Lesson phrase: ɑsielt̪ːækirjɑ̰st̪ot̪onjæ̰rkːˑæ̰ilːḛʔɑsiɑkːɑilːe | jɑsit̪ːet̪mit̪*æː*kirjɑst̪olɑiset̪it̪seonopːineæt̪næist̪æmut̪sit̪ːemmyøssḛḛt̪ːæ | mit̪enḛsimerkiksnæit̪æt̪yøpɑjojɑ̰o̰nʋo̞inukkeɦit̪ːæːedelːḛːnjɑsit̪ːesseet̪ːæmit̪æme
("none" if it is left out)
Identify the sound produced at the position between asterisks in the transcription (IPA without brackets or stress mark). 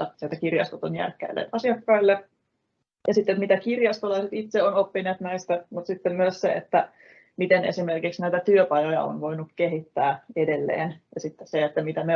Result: æ